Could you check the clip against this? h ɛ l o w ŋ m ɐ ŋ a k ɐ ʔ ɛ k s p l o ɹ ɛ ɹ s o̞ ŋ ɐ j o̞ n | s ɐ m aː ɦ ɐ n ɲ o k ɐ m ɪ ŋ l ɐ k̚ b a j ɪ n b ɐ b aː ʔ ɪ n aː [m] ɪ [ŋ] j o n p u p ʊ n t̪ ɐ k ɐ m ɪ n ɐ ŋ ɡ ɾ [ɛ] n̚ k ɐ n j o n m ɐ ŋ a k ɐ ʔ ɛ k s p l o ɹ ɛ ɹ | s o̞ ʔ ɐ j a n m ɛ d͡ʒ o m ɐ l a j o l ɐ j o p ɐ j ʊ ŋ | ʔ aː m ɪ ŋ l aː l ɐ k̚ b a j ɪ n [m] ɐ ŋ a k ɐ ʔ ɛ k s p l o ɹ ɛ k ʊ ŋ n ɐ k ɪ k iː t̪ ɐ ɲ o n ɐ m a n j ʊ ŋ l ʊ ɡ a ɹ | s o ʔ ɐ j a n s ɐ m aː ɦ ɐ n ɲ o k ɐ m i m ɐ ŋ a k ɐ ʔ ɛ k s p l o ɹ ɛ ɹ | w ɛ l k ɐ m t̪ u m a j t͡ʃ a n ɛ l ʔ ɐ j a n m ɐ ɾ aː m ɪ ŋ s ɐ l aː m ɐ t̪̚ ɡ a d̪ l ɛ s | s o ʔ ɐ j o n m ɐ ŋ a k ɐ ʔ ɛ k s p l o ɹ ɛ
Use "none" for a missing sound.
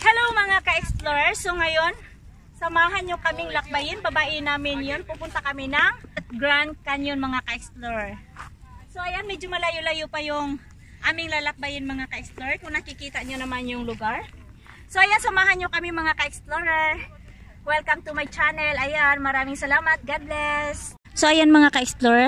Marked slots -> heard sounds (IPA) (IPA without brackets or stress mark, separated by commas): m, n, a, m